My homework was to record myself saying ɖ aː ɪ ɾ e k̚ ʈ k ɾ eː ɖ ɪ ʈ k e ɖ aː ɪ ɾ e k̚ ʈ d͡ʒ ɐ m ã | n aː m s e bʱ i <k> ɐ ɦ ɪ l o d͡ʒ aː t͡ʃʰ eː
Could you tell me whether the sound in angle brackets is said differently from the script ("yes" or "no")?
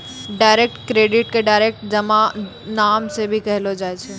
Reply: no